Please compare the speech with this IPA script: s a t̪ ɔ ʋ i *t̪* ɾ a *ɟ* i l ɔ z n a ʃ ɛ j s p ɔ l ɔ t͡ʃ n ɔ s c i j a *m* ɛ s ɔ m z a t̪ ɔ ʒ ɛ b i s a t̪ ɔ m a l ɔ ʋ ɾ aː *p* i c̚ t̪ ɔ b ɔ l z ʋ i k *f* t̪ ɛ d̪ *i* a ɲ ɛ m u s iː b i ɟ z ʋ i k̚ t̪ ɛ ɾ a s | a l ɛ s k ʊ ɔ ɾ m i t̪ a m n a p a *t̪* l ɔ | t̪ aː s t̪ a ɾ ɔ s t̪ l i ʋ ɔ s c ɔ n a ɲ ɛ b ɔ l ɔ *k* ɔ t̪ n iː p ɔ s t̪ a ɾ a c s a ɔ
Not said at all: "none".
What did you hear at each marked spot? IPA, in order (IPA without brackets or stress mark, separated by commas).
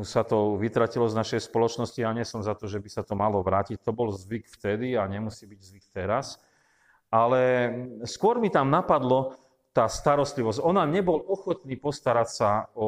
t̪, c, ɲ, c, f, i, d̪, x